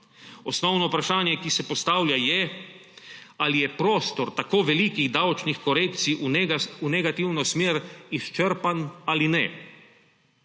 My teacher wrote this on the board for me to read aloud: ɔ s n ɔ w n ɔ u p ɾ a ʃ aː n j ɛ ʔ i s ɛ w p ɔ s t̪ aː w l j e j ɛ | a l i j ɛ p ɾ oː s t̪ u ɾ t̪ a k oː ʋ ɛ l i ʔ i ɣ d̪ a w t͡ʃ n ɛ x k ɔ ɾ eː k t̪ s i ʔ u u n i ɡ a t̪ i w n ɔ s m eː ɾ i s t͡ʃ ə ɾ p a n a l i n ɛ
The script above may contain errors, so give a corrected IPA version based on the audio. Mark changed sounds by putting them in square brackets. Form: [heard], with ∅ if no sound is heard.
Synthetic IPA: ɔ s n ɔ w n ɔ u p ɾ a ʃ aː n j ɛ [k] i s ɛ [∅] p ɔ s t̪ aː w l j [a] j ɛ | a l i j ɛ p ɾ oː s t̪ [ɔ] ɾ t̪ a k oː ʋ ɛ l i [k] i ɣ d̪ a w t͡ʃ n [i] x k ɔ ɾ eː k t̪ s i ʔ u u n [ɛ] ɡ a t̪ i w n ɔ s m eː ɾ i s t͡ʃ ə ɾ p a n a l i n ɛ